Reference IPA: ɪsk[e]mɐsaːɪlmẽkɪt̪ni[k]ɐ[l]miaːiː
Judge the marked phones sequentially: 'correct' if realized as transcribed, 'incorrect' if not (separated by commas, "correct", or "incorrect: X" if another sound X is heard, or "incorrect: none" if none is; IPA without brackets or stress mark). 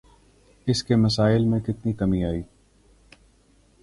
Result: correct, correct, incorrect: none